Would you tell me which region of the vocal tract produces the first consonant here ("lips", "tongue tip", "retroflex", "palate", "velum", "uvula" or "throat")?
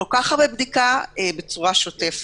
velum